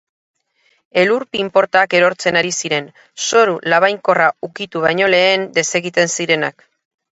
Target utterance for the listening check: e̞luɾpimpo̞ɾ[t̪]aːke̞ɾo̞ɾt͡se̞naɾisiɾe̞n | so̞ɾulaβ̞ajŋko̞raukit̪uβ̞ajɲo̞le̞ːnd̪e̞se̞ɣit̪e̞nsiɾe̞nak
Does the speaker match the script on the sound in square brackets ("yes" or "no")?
yes